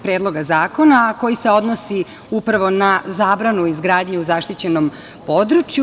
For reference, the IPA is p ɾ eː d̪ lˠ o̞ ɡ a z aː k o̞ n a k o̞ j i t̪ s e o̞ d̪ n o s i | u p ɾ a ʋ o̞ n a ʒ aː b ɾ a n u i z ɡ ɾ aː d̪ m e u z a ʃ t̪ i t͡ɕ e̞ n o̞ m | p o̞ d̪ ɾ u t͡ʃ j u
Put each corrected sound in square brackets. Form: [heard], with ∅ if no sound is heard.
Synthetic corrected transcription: p ɾ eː d̪ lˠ o̞ ɡ a z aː k o̞ n a k o̞ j i [∅] s e o̞ d̪ n o s i | u p ɾ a ʋ o̞ n a [z] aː b ɾ a n u i z ɡ ɾ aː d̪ [ɲ] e u z a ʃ t̪ i t͡ɕ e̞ n o̞ m | p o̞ d̪ ɾ u t͡ʃ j u